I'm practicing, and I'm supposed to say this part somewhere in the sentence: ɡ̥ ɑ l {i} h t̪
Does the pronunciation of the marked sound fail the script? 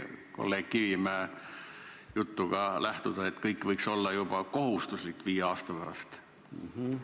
yes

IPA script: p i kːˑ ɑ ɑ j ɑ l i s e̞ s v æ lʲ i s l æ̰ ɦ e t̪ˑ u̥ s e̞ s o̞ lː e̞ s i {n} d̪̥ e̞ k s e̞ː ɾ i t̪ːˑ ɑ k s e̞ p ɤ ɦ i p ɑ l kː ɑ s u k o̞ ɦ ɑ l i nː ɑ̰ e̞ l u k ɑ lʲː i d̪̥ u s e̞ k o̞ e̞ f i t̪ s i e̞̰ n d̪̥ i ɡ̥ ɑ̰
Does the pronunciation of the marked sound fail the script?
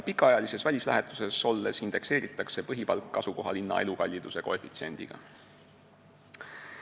no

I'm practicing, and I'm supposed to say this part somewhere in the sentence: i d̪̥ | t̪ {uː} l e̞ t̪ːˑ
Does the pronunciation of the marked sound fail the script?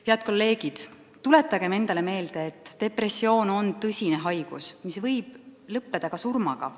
yes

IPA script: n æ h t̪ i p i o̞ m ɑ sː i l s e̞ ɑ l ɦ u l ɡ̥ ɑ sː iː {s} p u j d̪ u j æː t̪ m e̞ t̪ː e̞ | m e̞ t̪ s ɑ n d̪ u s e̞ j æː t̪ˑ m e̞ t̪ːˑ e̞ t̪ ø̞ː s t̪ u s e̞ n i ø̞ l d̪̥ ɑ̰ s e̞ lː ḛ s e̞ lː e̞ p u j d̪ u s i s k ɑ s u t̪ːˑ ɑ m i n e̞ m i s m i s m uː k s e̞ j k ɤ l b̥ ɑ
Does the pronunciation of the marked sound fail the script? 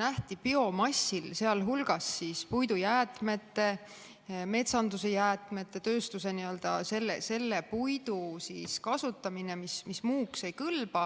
no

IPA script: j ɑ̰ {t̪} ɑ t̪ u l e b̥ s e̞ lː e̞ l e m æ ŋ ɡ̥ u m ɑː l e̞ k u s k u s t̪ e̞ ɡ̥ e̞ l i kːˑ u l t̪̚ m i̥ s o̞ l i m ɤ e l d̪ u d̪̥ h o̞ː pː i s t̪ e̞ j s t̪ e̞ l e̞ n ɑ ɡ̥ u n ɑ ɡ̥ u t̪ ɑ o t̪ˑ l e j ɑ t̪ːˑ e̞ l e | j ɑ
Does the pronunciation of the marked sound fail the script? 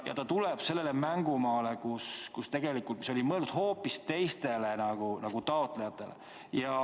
no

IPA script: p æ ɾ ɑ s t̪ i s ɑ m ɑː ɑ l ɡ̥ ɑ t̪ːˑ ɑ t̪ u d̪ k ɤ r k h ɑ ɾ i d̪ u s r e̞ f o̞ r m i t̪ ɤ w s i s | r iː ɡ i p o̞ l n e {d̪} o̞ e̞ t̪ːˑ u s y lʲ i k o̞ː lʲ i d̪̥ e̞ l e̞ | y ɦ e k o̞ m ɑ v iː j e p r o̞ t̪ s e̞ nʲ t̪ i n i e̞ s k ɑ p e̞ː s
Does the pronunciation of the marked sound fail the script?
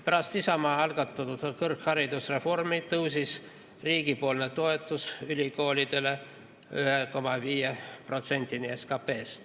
yes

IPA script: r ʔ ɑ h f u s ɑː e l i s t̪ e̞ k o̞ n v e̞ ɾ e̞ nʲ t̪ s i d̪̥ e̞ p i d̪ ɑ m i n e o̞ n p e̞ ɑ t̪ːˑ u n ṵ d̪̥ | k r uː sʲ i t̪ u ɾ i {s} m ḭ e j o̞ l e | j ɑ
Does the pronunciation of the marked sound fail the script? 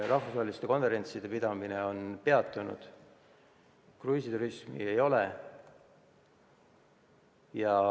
no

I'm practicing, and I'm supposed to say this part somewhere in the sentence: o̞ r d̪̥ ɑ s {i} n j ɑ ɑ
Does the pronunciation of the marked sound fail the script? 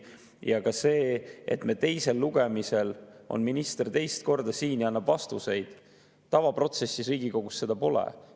yes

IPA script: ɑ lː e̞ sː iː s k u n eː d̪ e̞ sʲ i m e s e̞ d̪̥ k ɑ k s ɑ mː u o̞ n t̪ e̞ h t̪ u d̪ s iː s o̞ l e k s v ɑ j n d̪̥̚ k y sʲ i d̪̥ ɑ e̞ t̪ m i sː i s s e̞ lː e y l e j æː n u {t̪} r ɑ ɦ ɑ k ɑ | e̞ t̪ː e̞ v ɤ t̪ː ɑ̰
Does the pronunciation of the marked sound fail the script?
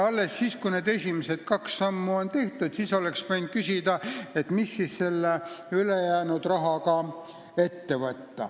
yes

